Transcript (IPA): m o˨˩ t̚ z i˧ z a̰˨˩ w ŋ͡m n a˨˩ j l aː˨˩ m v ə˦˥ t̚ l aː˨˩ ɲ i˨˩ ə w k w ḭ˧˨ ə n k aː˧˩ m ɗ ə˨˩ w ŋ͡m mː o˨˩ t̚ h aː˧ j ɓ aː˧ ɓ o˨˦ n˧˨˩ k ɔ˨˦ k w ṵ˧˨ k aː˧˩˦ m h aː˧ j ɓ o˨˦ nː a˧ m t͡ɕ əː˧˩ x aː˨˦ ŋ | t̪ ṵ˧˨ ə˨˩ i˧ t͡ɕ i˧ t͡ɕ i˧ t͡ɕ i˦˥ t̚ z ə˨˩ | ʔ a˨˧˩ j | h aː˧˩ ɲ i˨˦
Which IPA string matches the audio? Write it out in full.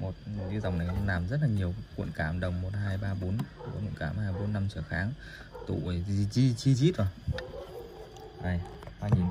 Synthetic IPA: m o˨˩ t̚ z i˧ z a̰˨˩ w ŋ͡m n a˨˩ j l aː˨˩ m z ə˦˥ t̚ l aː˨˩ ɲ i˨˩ ə w k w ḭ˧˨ ə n k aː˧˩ m ɗ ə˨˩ w ŋ͡m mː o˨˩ t̚ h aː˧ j ɓ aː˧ ɓ o˨˦ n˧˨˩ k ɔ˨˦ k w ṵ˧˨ k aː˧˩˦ m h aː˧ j ɓ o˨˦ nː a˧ m t͡ɕ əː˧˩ x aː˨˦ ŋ | t̪ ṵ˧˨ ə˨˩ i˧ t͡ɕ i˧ t͡ɕ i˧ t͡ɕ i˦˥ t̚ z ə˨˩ | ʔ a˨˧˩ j | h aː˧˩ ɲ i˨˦

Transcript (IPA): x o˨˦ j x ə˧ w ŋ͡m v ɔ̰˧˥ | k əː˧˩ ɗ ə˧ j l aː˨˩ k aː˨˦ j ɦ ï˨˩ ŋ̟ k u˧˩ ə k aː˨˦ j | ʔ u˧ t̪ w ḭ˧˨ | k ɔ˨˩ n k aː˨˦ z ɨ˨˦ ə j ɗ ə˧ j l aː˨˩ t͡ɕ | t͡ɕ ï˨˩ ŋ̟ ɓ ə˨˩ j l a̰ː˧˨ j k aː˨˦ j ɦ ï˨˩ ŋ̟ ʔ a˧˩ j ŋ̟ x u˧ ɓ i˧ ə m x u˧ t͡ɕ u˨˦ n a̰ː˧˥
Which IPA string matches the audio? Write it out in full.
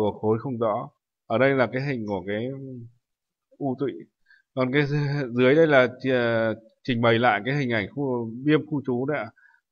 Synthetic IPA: x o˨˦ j x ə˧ w ŋ͡m z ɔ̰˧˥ | ʔ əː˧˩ ɗ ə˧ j l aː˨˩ k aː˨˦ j ɦ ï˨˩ ŋ̟ k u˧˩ ə k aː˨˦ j | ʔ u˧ t̪ w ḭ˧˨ | k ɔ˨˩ n k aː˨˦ z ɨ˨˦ ə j ɗ ə˧ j l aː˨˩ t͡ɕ | t͡ɕ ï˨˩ ŋ̟ ɓ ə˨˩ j l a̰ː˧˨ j k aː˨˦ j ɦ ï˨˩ ŋ̟ ʔ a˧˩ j ŋ̟ x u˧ ɓ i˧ ə m x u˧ t͡ɕ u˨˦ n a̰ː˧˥

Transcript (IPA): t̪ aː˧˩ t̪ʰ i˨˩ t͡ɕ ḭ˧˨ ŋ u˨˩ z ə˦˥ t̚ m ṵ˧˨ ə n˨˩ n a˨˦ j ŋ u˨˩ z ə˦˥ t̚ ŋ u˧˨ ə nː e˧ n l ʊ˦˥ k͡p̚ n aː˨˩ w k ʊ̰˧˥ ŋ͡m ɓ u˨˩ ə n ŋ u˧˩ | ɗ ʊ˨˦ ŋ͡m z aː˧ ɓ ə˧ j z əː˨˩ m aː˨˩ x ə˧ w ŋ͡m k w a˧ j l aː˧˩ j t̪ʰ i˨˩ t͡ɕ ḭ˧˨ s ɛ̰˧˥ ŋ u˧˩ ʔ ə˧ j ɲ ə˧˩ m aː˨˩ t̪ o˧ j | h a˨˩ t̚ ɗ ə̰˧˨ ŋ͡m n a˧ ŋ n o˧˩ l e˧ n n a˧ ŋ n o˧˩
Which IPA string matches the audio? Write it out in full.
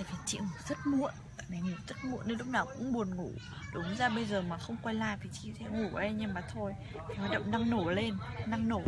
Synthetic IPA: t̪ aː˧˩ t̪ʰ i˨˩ t͡ɕ ḭ˧˨ ŋ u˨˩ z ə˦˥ t̚ m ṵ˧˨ ə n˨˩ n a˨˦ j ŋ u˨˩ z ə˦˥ t̚ m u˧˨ ə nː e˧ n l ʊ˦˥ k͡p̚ n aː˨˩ w k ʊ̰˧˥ ŋ͡m ɓ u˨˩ ə n ŋ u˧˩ | ɗ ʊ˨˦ ŋ͡m z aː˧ ɓ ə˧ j z əː˨˩ m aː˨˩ x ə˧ w ŋ͡m k w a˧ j l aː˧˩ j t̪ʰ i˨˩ t͡ɕ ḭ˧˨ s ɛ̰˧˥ ŋ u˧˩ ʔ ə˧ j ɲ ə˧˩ m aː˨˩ t̪ʰ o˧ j | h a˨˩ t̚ ɗ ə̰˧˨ ŋ͡m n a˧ ŋ n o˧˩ l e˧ n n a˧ ŋ n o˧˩

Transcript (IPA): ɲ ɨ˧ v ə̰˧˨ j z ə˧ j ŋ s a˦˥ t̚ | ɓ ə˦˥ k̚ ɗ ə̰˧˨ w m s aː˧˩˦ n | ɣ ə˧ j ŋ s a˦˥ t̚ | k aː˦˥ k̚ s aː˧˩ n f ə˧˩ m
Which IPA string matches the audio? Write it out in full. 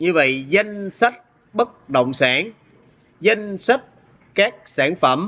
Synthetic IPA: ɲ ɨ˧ v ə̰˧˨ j z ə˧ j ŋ s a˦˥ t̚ | ɓ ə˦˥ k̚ ɗ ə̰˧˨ w ŋ͡m s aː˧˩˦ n | z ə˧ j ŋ s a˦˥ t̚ | k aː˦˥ k̚ s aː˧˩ n f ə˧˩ m

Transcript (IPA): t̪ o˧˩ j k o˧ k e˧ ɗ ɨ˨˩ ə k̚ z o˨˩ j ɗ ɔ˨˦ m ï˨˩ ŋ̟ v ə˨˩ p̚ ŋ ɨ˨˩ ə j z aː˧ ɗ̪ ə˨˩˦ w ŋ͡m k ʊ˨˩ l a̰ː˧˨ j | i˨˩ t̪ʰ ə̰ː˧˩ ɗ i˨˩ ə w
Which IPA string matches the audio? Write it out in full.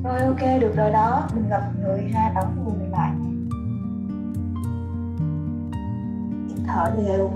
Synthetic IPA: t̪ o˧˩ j ʔ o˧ k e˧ ɗ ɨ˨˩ ə k̚ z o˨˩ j ɗ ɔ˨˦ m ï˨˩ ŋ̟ ɣ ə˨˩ p̚ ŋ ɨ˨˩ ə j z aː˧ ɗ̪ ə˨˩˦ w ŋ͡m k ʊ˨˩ l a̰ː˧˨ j | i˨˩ t̪ʰ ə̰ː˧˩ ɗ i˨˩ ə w

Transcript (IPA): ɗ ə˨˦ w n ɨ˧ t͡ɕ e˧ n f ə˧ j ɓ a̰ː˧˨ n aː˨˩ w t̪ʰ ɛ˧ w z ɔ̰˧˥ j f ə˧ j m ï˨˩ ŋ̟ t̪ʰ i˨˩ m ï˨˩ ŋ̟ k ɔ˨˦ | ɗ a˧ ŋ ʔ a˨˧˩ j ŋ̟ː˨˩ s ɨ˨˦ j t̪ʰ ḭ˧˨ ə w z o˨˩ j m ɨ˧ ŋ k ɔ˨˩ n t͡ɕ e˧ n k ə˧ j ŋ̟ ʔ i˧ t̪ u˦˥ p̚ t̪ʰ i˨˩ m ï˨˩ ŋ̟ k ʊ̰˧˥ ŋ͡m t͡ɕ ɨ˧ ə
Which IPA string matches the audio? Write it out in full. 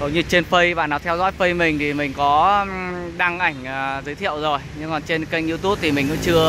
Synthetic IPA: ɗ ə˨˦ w ɲ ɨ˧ t͡ɕ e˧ n f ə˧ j ɓ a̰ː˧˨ n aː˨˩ w t̪ʰ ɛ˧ w z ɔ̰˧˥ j f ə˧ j m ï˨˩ ŋ̟ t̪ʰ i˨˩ m ï˨˩ ŋ̟ k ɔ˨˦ | ɗ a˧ ŋ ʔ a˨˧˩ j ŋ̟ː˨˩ z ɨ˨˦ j t̪ʰ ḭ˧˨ ə w z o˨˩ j ɲ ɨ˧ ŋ k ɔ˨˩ n t͡ɕ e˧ n k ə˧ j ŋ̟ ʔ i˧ t̪ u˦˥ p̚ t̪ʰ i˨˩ m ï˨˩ ŋ̟ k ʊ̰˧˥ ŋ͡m t͡ɕ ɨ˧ ə

